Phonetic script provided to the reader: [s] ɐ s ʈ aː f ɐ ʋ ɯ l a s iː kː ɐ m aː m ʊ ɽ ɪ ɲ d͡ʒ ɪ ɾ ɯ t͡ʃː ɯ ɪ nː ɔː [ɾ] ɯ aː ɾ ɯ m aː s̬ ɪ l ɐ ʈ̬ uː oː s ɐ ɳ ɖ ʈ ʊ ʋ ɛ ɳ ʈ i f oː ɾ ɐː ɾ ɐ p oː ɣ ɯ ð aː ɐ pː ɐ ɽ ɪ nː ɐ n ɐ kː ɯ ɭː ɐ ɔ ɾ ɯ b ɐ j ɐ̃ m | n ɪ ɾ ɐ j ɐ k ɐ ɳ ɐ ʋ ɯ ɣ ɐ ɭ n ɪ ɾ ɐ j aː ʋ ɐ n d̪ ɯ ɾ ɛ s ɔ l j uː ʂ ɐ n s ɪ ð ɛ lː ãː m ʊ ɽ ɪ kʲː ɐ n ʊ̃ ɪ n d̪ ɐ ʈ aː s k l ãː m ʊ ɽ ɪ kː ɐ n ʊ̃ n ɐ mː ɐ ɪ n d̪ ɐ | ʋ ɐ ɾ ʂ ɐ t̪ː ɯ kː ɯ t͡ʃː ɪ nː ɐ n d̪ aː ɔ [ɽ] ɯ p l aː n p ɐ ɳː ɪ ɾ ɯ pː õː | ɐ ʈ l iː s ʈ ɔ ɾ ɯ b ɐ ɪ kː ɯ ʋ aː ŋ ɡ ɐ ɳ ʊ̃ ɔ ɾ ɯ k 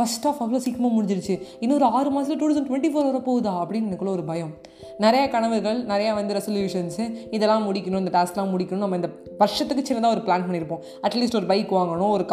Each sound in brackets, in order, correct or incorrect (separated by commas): incorrect, correct, incorrect